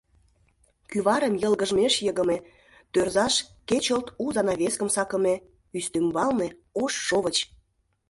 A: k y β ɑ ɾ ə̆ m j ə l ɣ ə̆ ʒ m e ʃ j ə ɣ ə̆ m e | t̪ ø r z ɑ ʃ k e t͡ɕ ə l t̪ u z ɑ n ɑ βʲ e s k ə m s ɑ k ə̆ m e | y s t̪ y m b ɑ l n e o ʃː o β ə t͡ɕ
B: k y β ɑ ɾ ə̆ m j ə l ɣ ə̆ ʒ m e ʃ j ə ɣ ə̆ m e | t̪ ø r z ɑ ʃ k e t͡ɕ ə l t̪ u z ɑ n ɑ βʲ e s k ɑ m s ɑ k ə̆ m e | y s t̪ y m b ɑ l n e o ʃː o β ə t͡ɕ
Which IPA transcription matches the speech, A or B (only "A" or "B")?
A